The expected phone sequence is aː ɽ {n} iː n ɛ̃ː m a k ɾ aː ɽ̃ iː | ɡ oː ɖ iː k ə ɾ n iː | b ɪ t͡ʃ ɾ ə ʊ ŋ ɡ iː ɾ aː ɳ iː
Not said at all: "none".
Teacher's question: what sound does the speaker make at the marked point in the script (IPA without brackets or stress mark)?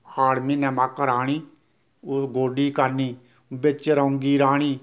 m